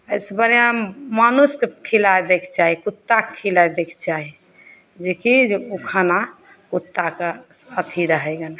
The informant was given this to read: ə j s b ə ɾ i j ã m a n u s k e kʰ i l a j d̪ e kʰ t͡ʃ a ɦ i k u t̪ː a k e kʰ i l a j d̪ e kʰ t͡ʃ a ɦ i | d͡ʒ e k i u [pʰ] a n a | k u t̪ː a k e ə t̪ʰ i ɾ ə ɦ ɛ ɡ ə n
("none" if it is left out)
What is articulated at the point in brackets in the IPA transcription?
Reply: kʰ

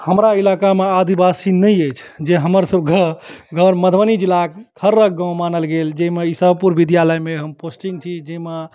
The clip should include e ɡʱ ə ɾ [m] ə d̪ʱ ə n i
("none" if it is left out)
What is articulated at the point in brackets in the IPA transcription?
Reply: m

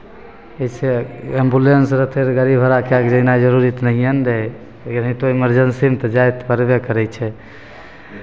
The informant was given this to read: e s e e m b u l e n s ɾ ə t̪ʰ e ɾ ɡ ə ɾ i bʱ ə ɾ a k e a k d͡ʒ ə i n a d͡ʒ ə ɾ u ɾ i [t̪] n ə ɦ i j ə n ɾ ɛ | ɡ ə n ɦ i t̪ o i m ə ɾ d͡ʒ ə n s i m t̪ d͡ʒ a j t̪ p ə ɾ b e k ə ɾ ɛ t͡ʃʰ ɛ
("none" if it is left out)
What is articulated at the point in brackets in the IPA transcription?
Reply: t̪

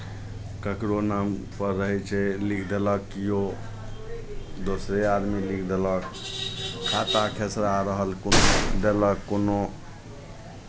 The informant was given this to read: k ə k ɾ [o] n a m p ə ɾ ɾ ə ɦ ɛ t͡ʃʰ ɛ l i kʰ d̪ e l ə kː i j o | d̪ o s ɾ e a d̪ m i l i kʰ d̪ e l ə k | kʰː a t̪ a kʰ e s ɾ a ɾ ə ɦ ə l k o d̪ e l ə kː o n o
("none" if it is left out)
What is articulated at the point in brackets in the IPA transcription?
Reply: o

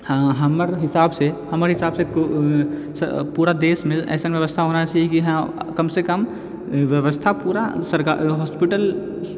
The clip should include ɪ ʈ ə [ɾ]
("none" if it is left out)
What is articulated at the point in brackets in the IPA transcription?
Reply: l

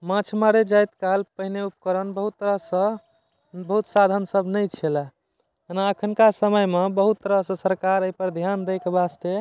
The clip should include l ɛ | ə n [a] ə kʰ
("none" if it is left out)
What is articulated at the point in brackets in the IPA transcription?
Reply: a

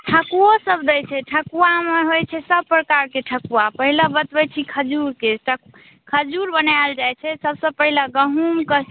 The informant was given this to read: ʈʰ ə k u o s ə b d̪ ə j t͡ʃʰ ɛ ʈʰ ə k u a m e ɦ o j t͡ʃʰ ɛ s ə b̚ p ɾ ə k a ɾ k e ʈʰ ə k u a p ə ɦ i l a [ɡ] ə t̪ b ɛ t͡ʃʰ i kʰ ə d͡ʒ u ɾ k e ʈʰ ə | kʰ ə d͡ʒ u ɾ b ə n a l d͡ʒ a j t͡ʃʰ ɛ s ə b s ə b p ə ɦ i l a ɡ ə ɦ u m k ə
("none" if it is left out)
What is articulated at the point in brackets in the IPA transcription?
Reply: b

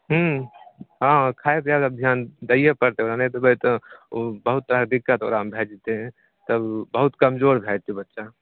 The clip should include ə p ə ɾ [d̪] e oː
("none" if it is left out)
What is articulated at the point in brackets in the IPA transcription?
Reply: t̪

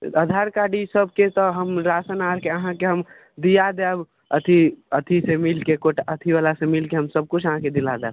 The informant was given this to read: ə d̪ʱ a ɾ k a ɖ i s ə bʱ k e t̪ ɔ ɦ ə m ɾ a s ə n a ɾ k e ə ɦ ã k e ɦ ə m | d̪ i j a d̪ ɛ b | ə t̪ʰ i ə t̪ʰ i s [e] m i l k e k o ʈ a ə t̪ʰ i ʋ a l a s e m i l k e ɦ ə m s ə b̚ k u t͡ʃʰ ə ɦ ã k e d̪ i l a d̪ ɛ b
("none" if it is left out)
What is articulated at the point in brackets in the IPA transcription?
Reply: e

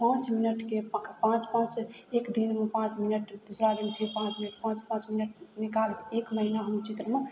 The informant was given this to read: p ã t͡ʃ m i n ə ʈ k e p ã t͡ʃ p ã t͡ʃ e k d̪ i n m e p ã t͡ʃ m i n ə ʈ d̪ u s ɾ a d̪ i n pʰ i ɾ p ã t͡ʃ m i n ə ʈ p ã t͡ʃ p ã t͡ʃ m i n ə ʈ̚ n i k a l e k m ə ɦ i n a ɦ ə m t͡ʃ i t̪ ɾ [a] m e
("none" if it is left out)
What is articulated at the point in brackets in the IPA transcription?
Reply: ə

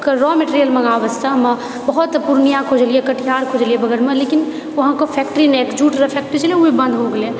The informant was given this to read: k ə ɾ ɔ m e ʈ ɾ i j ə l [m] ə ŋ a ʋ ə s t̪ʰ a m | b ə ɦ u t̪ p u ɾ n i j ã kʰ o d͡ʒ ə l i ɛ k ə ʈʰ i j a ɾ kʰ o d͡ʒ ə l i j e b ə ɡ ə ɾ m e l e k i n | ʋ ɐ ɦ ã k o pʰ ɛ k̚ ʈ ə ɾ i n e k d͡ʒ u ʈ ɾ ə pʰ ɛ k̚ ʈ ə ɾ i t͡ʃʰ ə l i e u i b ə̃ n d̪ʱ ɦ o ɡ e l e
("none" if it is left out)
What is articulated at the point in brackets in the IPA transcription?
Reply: m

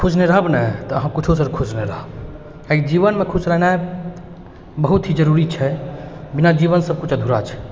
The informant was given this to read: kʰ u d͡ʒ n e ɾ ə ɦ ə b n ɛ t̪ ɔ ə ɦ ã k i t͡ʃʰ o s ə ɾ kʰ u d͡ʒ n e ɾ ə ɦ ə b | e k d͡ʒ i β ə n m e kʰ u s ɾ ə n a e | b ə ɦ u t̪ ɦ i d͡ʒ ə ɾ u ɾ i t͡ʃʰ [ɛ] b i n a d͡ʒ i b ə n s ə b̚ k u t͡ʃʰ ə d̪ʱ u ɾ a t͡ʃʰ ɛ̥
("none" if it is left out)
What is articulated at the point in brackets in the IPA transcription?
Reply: ɛ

